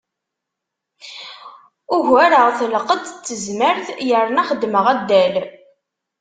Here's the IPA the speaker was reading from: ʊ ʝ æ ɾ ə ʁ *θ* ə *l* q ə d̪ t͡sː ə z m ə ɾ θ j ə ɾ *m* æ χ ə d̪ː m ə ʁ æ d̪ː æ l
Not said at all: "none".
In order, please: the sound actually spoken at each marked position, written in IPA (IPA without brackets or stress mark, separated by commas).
θ, l, n